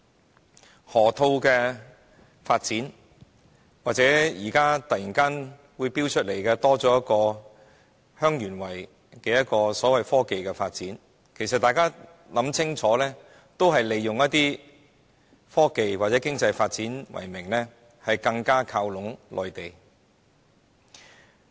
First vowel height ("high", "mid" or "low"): mid